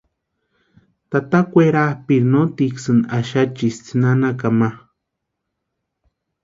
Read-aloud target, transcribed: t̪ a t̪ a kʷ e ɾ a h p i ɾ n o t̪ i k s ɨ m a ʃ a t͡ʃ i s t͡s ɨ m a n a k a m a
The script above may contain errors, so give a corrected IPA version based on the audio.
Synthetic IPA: t̪ a t̪ a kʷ e ɾ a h p i ɾ n o t̪ i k s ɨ n a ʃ a t͡ʃ i s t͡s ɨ n a n a k a m a